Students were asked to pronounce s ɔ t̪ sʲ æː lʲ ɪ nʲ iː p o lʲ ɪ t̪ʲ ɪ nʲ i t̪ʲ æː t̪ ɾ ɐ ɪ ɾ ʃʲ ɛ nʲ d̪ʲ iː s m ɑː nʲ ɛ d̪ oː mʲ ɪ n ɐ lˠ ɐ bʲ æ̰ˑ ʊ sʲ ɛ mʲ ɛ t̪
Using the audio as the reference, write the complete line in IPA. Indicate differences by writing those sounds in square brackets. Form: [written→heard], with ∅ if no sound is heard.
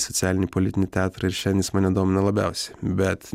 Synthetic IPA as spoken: s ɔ t̪ sʲ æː lʲ ɪ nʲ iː p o lʲ ɪ t̪ʲ ɪ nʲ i t̪ʲ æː t̪ ɾ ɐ ɪ ɾ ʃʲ ɛ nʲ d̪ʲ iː s m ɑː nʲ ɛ d̪ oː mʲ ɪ n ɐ lˠ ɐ bʲ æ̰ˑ ʊ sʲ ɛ [mʲ→bʲ] ɛ t̪